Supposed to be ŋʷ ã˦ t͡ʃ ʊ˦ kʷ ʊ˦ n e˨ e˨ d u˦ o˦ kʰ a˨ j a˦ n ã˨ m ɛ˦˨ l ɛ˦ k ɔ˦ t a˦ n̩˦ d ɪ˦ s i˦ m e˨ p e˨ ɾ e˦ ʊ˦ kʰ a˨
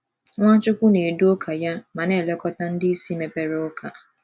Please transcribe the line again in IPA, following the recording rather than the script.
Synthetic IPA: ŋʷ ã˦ t͡ʃ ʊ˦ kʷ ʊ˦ n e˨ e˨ d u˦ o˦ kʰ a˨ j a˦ m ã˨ n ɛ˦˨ l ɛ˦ k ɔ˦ t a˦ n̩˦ d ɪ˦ s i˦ m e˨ p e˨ ɾ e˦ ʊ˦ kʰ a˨